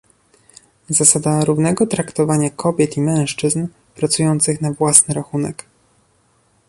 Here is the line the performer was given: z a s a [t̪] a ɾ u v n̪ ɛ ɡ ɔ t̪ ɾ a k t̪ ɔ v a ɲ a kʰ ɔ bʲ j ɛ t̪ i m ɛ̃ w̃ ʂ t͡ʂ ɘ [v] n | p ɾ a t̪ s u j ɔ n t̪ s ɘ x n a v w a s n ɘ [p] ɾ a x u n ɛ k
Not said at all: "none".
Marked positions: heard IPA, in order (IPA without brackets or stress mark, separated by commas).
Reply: d̪, z, none